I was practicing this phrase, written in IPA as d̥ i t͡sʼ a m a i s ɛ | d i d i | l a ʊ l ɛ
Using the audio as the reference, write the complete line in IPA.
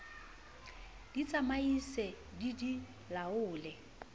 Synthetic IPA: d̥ i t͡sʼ a m a i s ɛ | d i d i | l a ʊː l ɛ